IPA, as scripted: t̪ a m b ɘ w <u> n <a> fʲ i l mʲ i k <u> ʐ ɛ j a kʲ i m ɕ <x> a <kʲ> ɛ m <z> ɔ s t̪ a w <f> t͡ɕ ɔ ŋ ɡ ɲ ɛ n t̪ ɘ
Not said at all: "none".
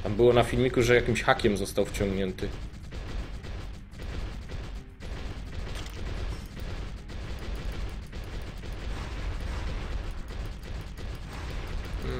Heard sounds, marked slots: ɔ, a, u, x, kʲ, z, f

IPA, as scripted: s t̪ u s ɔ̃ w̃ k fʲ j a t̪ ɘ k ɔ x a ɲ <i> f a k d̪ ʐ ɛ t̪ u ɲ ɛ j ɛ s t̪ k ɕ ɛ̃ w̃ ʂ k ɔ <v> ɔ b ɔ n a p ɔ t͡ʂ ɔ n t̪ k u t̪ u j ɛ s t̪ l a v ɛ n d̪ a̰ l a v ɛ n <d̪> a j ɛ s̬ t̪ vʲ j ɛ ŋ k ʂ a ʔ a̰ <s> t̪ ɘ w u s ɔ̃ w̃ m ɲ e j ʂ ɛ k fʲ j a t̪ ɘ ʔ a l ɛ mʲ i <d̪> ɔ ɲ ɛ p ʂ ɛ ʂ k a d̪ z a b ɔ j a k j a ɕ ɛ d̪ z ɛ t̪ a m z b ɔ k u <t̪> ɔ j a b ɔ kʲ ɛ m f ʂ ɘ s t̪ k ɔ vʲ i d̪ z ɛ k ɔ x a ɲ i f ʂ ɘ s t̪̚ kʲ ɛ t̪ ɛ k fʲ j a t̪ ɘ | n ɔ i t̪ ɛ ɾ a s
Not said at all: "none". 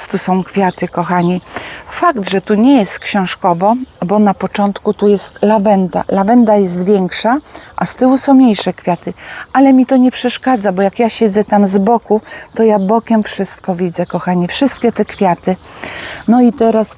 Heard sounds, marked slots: i, v, d̪, s, t̪, t̪

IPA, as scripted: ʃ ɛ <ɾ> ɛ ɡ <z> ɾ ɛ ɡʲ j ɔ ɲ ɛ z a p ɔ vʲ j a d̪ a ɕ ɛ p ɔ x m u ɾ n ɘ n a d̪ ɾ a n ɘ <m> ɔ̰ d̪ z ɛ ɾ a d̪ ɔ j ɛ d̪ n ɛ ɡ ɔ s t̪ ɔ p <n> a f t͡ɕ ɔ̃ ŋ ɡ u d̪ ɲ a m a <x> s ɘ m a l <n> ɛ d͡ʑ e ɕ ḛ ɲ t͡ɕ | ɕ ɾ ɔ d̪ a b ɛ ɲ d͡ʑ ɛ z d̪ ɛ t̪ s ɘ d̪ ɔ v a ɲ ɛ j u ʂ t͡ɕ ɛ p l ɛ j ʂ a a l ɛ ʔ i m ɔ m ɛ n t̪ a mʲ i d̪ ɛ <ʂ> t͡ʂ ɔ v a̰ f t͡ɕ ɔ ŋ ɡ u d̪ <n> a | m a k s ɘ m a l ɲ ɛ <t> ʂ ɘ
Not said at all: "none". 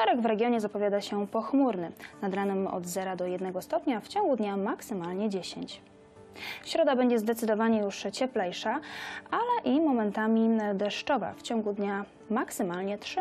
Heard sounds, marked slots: ɾ, v, m, ɲ, k, ɲ, ʂ, ɲ, t

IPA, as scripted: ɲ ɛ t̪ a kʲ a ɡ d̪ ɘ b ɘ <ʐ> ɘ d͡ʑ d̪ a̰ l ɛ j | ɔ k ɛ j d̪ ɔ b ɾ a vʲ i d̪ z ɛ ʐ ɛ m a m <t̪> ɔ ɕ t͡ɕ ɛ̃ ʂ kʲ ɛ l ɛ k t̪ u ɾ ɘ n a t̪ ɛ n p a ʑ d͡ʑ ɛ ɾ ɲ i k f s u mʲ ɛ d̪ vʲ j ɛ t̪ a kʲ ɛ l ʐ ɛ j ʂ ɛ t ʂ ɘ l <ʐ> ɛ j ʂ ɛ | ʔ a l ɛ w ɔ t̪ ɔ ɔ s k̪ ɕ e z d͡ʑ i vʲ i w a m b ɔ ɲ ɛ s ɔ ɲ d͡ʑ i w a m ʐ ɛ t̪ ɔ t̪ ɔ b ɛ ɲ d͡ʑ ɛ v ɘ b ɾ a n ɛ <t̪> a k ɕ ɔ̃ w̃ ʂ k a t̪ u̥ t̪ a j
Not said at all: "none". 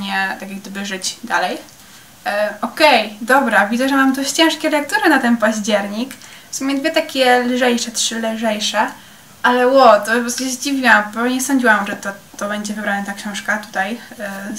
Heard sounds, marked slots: ʐ, d̪, ʐ, t̪

